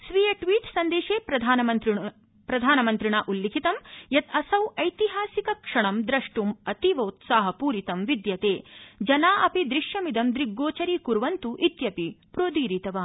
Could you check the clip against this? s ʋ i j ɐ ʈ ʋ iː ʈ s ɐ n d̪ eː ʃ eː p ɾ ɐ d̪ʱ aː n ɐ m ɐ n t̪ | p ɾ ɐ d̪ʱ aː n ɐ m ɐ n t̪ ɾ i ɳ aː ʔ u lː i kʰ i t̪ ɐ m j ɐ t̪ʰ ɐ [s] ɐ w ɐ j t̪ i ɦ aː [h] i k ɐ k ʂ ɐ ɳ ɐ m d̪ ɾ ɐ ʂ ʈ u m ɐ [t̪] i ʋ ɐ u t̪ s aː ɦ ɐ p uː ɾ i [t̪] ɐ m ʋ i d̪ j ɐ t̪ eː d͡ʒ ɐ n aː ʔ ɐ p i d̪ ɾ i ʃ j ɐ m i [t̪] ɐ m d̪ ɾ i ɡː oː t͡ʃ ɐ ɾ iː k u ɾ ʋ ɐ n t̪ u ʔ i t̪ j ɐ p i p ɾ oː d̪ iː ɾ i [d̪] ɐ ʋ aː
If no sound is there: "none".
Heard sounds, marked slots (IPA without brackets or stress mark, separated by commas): s, s, t̪, t̪, d̪, t̪